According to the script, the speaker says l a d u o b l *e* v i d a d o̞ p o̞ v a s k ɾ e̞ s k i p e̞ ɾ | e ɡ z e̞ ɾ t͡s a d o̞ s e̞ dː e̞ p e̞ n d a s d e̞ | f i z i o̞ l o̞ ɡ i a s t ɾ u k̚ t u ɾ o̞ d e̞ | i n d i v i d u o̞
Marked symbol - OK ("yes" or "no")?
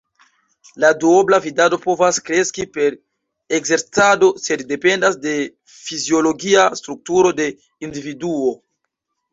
no